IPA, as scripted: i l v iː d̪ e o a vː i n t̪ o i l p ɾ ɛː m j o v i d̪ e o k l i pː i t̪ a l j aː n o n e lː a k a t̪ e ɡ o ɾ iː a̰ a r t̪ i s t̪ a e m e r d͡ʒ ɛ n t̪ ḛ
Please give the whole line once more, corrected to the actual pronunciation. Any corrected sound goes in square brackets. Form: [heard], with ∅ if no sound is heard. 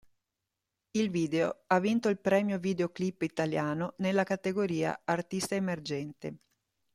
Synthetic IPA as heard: i l v iː d̪ e o a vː i n t̪ o i l p ɾ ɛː m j o v i d̪ e o k l i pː i t̪ a l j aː n o n e lː a k a t̪ e ɡ o ɾ iː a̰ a r t̪ i s t̪ a e m e r d͡ʒ ɛ n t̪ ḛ